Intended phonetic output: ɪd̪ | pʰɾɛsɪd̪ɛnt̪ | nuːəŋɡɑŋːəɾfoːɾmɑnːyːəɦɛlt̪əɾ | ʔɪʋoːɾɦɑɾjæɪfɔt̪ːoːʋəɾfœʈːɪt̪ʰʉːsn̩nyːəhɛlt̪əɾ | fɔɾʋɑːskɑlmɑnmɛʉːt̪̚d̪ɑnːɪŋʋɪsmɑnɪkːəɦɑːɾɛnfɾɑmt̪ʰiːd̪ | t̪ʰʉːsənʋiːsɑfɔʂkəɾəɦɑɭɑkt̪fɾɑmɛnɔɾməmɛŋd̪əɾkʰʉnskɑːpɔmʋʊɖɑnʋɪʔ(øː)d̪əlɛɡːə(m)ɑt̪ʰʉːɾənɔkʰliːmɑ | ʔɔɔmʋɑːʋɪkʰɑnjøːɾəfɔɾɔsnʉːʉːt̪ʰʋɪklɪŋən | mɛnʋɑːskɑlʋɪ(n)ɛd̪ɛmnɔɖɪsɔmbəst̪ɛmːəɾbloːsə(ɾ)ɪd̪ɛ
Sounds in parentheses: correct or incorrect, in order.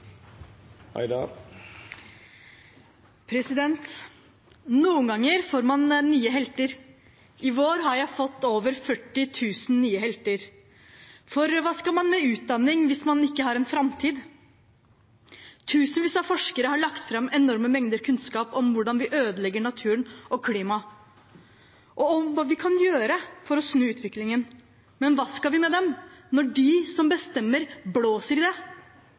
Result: correct, incorrect, incorrect, correct

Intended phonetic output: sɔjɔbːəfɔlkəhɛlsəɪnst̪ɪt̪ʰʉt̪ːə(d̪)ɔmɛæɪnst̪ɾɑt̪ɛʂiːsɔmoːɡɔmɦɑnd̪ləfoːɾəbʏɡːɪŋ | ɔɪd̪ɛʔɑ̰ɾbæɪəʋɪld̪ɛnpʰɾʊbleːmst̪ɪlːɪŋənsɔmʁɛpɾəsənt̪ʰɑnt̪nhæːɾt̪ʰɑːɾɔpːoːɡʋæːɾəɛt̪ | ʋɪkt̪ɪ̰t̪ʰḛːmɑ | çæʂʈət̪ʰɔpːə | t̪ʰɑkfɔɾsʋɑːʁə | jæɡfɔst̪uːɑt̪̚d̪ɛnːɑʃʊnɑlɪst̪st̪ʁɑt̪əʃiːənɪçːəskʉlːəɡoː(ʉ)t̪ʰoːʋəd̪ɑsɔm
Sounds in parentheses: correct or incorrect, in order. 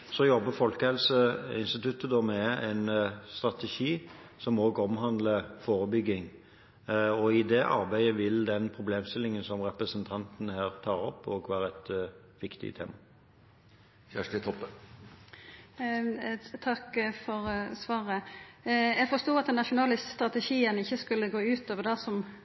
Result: correct, incorrect

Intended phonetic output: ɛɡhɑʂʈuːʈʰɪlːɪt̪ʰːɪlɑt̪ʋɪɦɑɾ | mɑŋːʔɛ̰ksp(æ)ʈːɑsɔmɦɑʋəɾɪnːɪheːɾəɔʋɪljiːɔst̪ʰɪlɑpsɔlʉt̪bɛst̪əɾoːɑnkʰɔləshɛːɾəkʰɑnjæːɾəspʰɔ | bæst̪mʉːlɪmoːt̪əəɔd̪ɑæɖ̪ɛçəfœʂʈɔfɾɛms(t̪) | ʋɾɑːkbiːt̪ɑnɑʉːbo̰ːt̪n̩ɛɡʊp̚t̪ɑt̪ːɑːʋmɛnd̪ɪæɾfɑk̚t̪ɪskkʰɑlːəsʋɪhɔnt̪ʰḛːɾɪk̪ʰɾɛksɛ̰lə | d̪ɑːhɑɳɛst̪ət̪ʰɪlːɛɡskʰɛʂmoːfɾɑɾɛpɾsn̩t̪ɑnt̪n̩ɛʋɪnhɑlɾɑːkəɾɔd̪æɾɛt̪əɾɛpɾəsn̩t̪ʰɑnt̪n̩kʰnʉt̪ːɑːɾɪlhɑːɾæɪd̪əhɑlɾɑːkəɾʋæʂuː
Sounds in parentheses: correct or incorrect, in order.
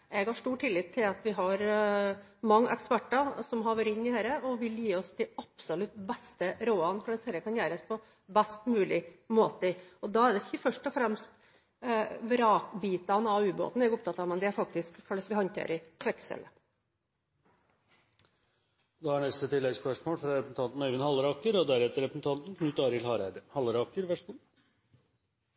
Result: correct, correct

